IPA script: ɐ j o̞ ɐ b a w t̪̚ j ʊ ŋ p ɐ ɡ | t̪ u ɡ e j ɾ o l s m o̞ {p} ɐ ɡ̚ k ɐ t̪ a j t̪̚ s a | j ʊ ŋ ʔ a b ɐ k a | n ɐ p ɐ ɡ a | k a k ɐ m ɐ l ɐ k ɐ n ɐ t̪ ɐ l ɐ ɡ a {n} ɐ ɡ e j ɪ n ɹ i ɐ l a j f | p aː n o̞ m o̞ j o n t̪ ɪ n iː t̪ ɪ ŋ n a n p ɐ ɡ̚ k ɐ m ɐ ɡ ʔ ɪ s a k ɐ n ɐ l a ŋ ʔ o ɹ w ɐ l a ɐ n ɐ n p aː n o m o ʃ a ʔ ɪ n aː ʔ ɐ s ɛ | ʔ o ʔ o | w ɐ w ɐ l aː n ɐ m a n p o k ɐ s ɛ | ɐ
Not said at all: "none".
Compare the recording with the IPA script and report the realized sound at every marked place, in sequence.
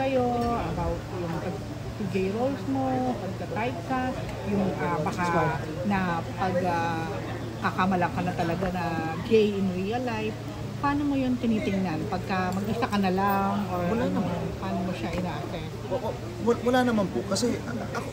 p, n

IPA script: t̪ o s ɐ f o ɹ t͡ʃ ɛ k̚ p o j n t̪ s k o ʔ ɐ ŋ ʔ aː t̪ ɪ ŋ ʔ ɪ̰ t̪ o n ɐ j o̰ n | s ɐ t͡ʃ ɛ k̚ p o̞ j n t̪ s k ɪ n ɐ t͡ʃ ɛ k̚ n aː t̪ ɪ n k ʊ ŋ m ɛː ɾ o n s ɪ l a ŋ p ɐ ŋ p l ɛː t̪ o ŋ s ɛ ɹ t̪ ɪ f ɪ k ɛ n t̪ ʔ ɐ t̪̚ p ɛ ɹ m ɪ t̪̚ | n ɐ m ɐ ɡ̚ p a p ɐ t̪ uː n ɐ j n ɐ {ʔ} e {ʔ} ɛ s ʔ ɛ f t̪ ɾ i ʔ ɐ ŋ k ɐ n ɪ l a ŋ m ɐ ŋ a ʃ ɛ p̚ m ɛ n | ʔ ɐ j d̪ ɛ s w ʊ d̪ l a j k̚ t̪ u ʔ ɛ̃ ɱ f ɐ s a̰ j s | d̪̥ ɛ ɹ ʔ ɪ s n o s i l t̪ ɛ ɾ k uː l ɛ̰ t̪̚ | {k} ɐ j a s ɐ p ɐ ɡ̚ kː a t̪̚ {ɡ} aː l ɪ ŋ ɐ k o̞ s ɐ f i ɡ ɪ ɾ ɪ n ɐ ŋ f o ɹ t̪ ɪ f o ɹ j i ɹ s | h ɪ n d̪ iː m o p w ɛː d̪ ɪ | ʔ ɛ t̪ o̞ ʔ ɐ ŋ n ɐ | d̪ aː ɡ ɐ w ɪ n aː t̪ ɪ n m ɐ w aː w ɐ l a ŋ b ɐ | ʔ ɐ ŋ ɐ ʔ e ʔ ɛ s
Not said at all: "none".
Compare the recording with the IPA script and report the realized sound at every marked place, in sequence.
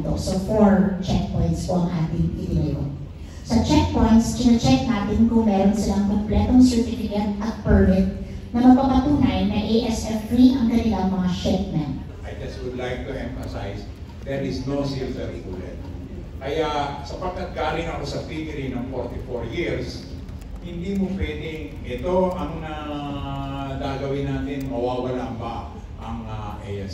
ʔ, ʔ, k, ɡ

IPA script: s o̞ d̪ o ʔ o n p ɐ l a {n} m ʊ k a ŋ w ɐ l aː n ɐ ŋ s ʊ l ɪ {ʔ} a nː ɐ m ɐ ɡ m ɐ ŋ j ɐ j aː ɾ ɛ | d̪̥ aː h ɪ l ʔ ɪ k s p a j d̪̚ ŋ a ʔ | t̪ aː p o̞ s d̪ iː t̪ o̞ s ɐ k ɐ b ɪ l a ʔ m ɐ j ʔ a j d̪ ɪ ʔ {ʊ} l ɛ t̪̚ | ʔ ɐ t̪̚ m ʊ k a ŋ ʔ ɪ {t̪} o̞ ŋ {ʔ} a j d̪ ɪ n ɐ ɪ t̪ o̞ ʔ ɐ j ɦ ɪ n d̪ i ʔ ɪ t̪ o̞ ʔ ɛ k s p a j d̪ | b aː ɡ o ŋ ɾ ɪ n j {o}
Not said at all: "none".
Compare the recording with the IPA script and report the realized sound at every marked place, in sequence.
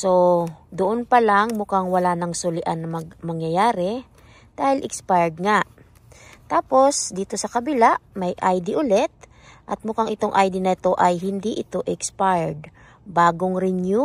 ŋ, ʔ, ʊ, t̪, ʔ, u

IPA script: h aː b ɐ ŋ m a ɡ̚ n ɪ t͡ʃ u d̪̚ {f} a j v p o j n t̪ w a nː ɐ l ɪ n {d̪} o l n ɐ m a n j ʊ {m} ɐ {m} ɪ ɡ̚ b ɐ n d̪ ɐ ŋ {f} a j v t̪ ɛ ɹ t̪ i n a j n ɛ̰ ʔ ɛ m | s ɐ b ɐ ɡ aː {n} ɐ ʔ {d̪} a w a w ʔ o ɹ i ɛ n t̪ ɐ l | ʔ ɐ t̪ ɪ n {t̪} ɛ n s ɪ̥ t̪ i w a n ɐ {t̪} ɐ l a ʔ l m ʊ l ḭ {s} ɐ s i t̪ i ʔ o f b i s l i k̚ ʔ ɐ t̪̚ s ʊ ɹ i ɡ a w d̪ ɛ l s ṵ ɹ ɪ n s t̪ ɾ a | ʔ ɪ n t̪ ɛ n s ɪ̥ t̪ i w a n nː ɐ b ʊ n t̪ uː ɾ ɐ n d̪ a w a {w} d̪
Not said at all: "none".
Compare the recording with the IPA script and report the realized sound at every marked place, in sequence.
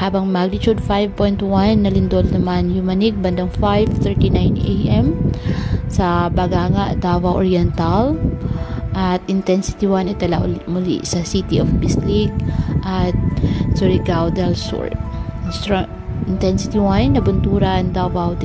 f, d̪, m, n, f, ŋ, d̪, t̪, t̪, s, w

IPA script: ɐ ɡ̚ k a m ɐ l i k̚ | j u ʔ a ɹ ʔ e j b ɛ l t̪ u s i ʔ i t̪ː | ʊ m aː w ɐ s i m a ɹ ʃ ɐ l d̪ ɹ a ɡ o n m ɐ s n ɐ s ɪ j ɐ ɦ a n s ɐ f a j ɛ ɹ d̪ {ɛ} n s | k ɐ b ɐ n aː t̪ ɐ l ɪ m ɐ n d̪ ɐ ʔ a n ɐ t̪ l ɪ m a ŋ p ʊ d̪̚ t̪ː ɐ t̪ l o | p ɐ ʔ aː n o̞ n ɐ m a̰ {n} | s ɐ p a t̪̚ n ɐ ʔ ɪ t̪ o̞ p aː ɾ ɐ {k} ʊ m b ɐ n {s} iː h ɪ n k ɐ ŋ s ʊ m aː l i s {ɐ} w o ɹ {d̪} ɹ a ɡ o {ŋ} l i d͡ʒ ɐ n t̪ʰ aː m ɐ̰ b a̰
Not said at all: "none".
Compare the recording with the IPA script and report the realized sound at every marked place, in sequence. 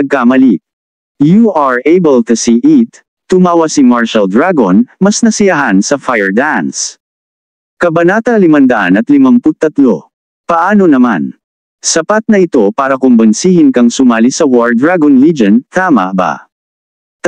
a, n, k, s, ɐ, d̪, n

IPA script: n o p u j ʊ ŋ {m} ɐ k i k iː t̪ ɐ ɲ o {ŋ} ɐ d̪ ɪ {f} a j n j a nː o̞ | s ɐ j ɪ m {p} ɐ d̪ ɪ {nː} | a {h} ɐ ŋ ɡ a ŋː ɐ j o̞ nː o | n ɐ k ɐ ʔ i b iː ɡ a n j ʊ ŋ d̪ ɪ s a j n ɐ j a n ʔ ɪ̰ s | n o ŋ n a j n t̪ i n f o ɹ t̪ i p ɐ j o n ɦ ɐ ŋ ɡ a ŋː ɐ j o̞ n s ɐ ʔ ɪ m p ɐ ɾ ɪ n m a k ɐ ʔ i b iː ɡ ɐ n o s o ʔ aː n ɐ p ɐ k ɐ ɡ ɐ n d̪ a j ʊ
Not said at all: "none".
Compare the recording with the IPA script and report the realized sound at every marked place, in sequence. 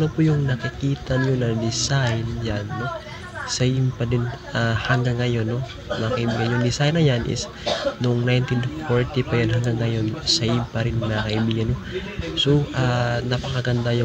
n, n, s, p, n, h

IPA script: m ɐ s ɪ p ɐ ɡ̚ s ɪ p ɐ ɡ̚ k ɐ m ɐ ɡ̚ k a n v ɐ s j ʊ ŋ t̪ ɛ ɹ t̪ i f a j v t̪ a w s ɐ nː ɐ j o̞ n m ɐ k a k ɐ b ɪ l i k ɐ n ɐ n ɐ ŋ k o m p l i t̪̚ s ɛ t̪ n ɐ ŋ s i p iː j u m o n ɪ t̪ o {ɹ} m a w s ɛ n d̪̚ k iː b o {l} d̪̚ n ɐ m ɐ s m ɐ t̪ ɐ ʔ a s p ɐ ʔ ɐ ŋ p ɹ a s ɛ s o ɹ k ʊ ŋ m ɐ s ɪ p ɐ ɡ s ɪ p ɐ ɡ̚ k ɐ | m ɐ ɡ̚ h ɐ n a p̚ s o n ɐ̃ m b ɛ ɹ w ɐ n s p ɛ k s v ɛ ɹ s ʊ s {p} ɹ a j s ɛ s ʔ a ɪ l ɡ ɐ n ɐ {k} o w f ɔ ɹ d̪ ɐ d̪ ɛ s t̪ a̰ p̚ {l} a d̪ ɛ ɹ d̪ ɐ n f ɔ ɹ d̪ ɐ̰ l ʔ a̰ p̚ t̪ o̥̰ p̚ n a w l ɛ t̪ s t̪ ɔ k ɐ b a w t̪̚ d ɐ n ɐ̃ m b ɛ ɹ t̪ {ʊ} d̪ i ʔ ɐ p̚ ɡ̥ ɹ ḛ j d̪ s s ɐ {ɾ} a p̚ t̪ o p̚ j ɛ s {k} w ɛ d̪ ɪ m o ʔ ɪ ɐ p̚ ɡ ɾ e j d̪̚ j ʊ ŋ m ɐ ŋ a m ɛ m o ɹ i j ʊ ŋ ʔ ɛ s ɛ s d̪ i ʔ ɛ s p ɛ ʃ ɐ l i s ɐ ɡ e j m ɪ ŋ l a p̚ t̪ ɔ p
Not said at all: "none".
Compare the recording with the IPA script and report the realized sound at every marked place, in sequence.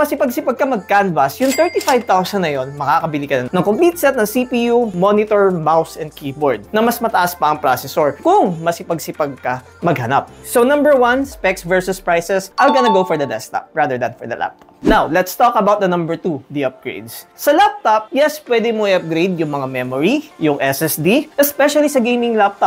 ɹ, ɹ, p, ɡ, ɹ, u, l, p

